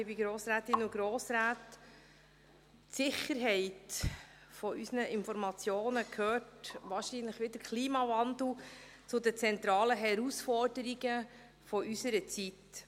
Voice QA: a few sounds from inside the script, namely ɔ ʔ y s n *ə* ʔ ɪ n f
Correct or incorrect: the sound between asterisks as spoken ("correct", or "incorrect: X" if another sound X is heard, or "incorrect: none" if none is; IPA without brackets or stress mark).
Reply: correct